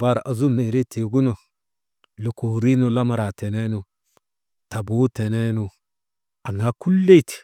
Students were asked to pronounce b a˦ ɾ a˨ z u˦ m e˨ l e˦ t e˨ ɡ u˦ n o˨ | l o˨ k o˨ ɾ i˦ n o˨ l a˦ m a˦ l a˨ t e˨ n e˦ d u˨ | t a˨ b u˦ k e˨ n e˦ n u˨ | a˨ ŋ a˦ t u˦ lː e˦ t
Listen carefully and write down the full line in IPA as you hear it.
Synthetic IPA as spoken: b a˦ ɾ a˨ z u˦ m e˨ ɾ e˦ t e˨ ɡ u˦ n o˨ | l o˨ k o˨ ɾ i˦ n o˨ l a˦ m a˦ ɾ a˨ t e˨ n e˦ n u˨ | t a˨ b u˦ t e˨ n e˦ n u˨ | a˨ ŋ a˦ k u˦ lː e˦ t